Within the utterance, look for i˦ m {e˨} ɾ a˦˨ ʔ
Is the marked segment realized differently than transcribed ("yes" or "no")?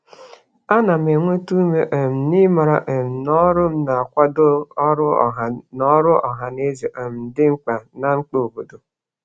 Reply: yes